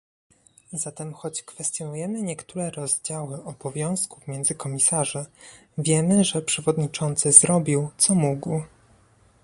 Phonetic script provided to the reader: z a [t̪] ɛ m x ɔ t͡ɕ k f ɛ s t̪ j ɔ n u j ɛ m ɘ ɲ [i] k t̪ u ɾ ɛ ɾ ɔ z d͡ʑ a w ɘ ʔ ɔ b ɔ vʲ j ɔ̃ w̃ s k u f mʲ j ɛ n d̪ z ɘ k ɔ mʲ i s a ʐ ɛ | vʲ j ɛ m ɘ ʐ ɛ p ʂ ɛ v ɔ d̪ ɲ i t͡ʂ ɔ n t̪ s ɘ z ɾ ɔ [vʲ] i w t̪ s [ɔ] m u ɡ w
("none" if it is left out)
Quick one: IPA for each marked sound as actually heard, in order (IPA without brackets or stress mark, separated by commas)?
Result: t̪, ɛ, bʲ, ɔ